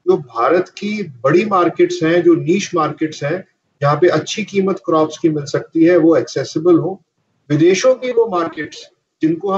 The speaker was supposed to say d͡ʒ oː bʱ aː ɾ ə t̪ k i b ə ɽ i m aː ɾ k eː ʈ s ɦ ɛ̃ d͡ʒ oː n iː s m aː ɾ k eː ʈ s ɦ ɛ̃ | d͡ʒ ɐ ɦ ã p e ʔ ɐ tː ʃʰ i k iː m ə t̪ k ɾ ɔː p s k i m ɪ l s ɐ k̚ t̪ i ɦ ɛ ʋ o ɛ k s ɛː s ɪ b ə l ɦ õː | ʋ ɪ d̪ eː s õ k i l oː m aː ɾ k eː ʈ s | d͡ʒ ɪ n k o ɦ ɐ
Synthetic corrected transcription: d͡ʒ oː bʱ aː ɾ ə t̪ k i b ɐ ɽ i m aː ɾ k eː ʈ s ɦ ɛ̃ d͡ʒ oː n iː ʃ m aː ɾ k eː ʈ s ɦ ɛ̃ | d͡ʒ ɐ ɦ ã p e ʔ ɐ tː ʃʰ i k iː m ə t̪ k ɾ ɔː p s k i m ɪ l s ɐ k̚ t̪ i ɦ ɛ ʋ o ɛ k s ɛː s ɪ b ə l ɦ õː | ʋ ɪ d̪ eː ʃ õ k i l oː m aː ɾ k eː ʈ s | d͡ʒ ɪ n k o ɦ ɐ

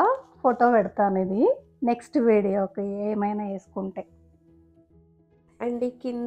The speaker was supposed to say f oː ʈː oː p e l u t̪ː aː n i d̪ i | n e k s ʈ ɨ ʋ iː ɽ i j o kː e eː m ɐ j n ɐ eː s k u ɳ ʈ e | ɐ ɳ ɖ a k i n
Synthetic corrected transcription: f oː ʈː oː p e ɽ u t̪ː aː n i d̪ i | n e k s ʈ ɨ ʋ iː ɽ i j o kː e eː m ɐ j n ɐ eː s k u ɳ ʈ e | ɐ ɳ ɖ i k i n

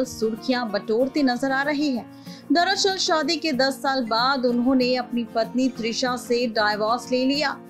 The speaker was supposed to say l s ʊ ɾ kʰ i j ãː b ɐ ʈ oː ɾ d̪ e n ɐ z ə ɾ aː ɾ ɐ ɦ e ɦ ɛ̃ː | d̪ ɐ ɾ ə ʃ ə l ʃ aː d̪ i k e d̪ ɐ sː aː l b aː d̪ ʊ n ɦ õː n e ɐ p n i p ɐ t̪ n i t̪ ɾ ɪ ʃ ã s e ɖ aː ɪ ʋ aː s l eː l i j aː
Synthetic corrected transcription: l s ʊ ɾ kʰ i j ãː b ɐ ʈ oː ɾ t̪ e n ɐ z ə ɾ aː ɾ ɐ ɦ e ɦ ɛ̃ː | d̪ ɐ ɾ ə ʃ ə l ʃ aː d̪ i k e d̪ ɐ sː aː l b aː d̪ ʊ n ɦ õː n e ɐ p n i p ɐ t̪ n i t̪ ɾ ɪ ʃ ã s e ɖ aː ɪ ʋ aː s l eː l i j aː

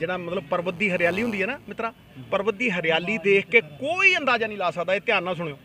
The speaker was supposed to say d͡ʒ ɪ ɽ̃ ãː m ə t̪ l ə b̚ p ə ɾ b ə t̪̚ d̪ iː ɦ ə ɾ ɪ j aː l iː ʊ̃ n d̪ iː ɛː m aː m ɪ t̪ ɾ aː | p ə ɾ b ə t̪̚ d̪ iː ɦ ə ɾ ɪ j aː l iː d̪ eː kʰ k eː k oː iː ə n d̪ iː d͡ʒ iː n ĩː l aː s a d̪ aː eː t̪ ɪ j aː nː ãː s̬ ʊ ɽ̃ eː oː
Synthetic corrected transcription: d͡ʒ ɪ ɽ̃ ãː m ə t̪ l ə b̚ p ə ɾ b ə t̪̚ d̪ iː ɦ ə ɾ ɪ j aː l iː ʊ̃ n d̪ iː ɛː n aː m ɪ t̪ ɾ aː | p ə ɾ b ə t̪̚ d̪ iː ɦ ə ɾ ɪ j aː l iː d̪ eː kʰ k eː k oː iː ə n d̪ aː d͡ʒ aː n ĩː l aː s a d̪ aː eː t̪ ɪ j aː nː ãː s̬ ʊ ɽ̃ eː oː

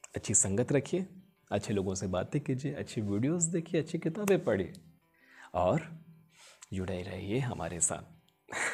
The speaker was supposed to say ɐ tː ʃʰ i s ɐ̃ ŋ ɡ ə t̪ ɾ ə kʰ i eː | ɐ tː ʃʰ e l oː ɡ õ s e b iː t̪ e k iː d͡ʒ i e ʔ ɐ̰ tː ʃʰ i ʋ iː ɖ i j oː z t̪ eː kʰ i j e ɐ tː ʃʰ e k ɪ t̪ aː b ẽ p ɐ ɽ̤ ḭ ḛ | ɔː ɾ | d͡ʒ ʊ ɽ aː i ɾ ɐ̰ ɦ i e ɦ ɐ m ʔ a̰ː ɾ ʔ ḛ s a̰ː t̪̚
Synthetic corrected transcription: ɐ tː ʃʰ i s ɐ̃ ŋ ɡ ə t̪ ɾ ɐ kʰ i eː | ɐ tː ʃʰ e l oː ɡ õ s e b aː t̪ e k iː d͡ʒ i e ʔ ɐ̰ tː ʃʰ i ʋ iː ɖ i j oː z d̪ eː kʰ i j e ɐ tː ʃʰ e k ɪ t̪ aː b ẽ p ɐ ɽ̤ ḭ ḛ | ɔː ɾ | d͡ʒ ʊ ɽ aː i ɾ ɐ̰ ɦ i e ɦ ɐ m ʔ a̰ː ɾ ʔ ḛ s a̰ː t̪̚

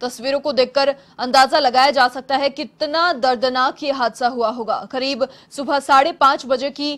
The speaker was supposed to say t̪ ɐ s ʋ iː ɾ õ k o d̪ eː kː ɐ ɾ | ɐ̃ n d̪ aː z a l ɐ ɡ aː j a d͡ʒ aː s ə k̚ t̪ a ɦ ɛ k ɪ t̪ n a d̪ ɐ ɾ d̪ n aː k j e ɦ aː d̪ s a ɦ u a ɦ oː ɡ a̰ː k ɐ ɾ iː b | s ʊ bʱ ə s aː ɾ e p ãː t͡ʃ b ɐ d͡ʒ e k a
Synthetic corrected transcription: t̪ ɐ s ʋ iː ɾ õ k o d̪ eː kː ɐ ɾ | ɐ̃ n d̪ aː z a l ɐ ɡ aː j a d͡ʒ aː s ɐ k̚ t̪ a ɦ ɛ k ɪ t̪ n a d̪ ɐ ɾ d̪ n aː k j e ɦ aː d̪ s a ɦ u a ɦ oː ɡ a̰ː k ɐ ɾ iː b | s ʊ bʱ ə s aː ɽ e p ãː t͡ʃ b ɐ d͡ʒ e k i

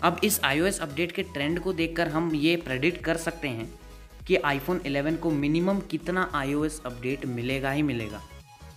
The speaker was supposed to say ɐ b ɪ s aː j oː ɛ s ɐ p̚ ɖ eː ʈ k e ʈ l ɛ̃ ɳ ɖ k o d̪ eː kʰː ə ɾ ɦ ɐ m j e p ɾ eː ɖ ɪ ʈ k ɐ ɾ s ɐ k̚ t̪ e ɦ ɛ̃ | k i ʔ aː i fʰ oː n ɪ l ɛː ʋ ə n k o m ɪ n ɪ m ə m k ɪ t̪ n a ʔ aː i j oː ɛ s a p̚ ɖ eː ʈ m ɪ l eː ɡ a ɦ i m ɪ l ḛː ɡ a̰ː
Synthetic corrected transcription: ɐ b ɪ s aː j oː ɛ s ɐ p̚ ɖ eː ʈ k e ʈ ɾ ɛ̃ ɳ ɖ k o d̪ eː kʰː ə ɾ ɦ ɐ m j e p ɾ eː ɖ ɪ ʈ k ɐ ɾ s ɐ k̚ t̪ e ɦ ɛ̃ | k i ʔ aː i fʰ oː n ɪ l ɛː ʋ ə n k o m ɪ n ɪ m ə m k ɪ t̪ n a ʔ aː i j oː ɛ s ɐ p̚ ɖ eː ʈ m ɪ l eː ɡ a ɦ i m ɪ l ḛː ɡ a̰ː

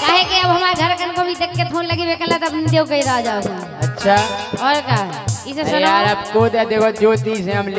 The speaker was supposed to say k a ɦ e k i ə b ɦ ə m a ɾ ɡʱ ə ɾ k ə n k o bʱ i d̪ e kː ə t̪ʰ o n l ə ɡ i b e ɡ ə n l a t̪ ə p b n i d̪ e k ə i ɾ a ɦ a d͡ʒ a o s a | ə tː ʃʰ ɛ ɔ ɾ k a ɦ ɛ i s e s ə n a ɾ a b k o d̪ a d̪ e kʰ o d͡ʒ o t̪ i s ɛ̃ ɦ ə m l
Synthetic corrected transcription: k a ɦ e k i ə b ɦ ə m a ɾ ɡʱ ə ɾ k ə n k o bʱ i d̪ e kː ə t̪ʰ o n l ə ɡ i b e k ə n l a t̪ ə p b n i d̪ e k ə i ɾ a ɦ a d͡ʒ a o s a | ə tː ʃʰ a ɔ ɾ k a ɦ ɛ i s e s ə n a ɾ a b k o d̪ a d̪ e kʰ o d͡ʒ o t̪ i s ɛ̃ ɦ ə m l

